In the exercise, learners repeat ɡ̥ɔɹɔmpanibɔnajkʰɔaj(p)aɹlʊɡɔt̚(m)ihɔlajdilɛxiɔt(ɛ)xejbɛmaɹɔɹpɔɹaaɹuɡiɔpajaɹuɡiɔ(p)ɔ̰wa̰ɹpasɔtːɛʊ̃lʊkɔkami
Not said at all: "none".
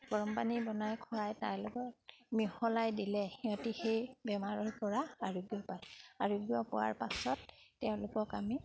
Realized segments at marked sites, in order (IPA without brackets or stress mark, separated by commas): t, m, i, p